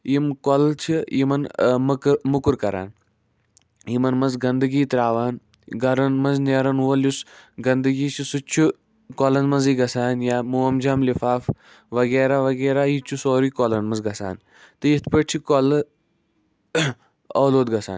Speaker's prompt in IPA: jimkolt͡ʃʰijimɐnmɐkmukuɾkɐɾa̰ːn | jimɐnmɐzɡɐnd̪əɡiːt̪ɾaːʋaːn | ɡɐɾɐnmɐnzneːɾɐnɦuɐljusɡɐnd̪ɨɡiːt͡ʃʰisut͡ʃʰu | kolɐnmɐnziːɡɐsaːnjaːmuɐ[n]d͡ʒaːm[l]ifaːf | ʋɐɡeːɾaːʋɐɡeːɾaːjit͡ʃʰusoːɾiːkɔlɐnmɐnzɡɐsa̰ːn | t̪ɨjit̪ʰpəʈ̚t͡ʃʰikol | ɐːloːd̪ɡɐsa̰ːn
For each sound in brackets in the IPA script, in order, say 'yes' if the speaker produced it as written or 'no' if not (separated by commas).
no, yes